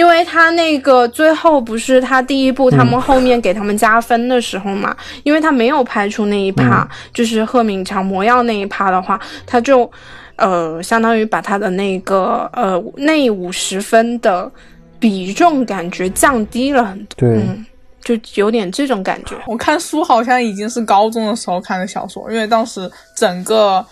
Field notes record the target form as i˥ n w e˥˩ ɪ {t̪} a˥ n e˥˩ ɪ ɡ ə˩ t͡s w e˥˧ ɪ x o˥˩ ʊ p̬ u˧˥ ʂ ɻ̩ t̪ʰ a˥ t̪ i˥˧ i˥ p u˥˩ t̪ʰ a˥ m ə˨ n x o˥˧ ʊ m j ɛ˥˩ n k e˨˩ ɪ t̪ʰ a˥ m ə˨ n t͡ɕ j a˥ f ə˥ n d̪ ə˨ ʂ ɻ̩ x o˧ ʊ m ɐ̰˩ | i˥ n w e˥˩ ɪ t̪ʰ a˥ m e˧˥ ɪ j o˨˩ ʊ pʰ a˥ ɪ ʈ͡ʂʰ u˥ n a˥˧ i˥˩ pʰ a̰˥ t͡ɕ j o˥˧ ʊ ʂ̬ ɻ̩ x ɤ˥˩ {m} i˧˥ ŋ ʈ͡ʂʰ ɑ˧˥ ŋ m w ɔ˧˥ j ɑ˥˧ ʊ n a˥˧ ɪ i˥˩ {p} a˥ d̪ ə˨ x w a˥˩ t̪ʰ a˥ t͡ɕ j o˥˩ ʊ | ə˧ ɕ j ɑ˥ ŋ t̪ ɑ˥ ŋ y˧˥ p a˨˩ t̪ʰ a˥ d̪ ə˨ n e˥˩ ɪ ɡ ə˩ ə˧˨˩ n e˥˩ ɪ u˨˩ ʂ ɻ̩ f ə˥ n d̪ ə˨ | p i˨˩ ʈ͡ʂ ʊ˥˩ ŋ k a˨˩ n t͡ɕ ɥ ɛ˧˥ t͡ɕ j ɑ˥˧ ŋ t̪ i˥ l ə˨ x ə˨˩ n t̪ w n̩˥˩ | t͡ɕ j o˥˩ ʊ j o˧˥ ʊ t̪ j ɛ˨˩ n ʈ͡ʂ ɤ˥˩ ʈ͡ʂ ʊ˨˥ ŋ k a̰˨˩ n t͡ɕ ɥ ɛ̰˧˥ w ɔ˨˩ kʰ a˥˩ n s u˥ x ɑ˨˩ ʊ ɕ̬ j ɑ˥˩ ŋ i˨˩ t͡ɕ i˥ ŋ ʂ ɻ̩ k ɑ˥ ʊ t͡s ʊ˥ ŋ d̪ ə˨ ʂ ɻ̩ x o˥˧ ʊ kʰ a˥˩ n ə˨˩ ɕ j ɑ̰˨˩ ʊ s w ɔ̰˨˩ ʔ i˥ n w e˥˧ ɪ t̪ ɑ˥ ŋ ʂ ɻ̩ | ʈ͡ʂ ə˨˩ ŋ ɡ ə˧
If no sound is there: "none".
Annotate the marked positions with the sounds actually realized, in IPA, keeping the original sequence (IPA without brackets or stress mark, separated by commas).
t̪ʰ, m, pʰ